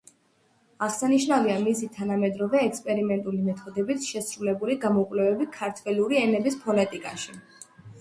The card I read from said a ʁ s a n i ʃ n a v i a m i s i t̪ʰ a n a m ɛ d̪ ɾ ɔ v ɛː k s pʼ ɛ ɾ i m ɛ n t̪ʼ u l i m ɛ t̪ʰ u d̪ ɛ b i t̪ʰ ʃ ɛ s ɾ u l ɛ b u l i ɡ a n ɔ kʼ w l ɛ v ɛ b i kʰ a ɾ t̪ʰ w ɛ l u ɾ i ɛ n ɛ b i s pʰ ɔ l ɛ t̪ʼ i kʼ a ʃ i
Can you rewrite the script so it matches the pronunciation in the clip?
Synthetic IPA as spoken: a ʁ s a n i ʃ n a v i a m i s i t̪ʰ a n a m ɛ d̪ ɾ ɔ v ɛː k s pʼ ɛ ɾ i m ɛ n t̪ʼ u l i m ɛ t̪ʰ ɔ d̪ ɛ b i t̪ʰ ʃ ɛ s ɾ u l ɛ b u l i ɡ a m ɔ kʼ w l ɛ v ɛ b i kʰ a ɾ t̪ʰ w ɛ l u ɾ i ɛ n ɛ b i s pʰ ɔ l ɛ t̪ʼ i kʼ a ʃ i